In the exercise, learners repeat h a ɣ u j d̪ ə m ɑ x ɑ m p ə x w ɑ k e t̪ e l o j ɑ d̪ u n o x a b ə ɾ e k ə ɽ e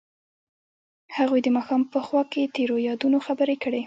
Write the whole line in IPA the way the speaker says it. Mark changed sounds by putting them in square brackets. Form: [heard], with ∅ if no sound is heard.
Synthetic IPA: h a ɣ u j d̪ ə m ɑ x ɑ m p ə x w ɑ k e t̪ e [ɾ] o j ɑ d̪ u n o x a b ə ɾ e k ə ɽ e

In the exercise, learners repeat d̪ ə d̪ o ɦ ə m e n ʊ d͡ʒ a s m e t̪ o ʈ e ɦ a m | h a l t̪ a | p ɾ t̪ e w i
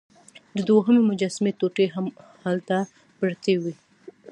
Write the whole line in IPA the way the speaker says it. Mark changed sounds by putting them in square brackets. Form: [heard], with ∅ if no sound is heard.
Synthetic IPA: d̪ ə d̪ o ɦ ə m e [m] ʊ d͡ʒ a s m e t̪ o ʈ e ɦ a m | h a l t̪ a | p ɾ t̪ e w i

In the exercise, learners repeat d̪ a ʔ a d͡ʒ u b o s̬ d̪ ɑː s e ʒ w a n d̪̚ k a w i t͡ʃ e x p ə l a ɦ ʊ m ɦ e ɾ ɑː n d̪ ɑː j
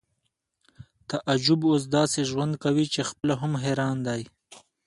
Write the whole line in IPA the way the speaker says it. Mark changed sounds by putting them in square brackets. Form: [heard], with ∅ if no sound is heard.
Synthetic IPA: [t̪] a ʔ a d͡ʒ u b o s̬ d̪ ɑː s e ʒ w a n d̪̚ k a w i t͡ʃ e x p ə l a ɦ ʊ m ɦ e ɾ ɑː n d̪ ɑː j

